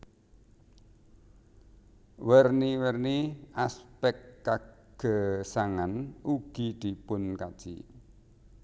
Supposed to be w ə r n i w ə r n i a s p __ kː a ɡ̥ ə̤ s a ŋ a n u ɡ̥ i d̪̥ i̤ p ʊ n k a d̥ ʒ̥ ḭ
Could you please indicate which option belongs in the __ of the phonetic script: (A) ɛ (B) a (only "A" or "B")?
A